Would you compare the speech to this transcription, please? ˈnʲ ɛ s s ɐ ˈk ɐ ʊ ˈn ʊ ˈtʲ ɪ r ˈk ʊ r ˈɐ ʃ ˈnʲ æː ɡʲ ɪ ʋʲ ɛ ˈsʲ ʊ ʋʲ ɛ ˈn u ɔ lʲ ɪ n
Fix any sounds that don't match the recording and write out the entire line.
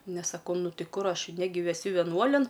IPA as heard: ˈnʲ ɛ s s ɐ ˈk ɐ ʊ ˈn ʊ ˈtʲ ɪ ˈk ʊ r ˈɐ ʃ ˈnʲ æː ɡʲ ɪ ʋʲ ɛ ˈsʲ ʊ ʋʲ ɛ ˈn u ɔ lʲ ɪ n